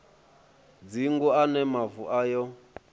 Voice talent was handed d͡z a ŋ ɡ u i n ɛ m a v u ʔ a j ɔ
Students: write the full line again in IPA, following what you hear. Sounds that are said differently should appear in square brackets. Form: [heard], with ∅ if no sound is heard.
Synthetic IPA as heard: d͡z [i] ŋ ɡ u [a] n ɛ m a v u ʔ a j ɔ